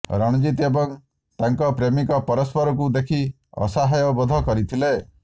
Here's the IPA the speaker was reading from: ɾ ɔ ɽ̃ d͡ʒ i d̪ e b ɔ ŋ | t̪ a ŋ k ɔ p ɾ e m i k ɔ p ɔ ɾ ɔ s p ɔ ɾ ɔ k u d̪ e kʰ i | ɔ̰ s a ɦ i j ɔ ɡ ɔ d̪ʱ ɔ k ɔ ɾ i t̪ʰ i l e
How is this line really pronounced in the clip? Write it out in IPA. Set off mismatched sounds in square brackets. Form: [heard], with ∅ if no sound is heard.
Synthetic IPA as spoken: ɾ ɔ ɽ̃ d͡ʒ i [t̪] e b ɔ ŋ | t̪ a ŋ k ɔ p ɾ e m i k ɔ p ɔ ɾ ɔ s p ɔ ɾ ɔ k u d̪ e kʰ i | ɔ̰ s a ɦ [a] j ɔ [b] ɔ d̪ʱ ɔ k ɔ ɾ i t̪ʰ i l e